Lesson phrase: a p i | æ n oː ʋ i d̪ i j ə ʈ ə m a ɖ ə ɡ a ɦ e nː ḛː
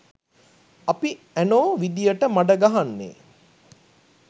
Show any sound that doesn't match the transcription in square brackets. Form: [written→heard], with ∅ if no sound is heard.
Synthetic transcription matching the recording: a p i | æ n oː ʋ i d̪ i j ə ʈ ə m a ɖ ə ɡ a ɦ [e→a] nː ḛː